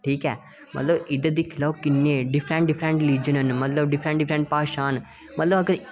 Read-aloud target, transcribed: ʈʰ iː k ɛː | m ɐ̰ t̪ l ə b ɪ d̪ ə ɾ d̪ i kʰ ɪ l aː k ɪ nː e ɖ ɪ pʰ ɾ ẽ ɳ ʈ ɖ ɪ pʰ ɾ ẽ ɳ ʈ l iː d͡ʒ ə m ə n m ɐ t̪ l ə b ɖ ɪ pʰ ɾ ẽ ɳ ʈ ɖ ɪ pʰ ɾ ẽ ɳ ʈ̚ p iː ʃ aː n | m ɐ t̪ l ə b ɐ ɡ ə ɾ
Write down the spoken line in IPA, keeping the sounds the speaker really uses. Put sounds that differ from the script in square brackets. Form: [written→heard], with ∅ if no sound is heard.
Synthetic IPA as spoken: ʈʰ iː k ɛː | m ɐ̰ t̪ l ə b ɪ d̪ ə [ɾ→∅] d̪ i kʰ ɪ l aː k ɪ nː e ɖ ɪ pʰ ɾ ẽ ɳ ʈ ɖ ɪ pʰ ɾ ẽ ɳ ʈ l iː d͡ʒ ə [m→n] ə n m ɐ t̪ l ə b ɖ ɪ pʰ ɾ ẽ ɳ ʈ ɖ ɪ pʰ ɾ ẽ ɳ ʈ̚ p [iː→aː] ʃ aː n | m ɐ t̪ l ə b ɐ ɡ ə ɾ